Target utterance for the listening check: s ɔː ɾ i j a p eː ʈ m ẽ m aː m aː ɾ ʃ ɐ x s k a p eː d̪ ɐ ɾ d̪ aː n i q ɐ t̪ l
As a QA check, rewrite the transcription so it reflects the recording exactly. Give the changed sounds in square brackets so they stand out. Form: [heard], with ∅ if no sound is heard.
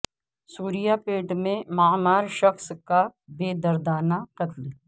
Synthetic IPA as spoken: s [uː] ɾ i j a p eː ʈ m ẽ m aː m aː ɾ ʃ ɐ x s k a [b] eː d̪ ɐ ɾ d̪ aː n [a] q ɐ t̪ l

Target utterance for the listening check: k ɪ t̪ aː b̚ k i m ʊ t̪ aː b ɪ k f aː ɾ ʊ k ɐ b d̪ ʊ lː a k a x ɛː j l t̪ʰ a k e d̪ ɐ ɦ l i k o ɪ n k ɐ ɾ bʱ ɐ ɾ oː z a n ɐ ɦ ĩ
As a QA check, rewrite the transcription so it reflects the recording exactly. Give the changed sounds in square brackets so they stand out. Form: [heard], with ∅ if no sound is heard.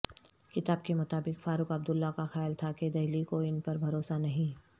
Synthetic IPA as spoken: k ɪ t̪ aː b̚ k [e] m ʊ t̪ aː b ɪ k f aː ɾ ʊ k ɐ b d̪ ʊ lː a k a x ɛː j l t̪ʰ a k e d̪ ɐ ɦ l i k o ɪ n [p] ɐ ɾ bʱ ɐ ɾ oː [s] a n ɐ ɦ ĩ

